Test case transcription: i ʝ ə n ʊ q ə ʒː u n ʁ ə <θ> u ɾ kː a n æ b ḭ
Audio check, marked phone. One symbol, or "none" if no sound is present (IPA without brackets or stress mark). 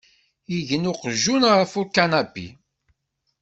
f